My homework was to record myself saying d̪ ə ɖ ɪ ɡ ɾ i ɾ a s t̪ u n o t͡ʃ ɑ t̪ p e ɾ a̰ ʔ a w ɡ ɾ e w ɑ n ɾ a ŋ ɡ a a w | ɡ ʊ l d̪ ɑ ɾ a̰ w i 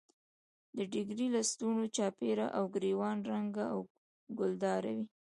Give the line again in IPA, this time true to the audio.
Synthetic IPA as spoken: d̪ ə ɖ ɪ ɡ ɾ i l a s t̪ u n o t͡ʃ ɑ p e ɾ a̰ ʔ a w ɡ ɾ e w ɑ n ɾ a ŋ ɡ a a w | ɡ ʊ l d̪ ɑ ɾ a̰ w i